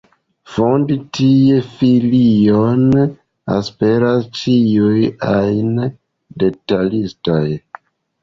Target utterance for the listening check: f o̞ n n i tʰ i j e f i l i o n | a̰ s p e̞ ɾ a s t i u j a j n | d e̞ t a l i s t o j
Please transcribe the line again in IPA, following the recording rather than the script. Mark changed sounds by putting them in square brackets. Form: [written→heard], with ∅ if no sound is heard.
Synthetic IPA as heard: f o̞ n [n→d] i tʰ i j e f i l i o n | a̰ s p e̞ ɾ a s [t→t͡ʃ] i u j a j n | d e̞ t a l i s t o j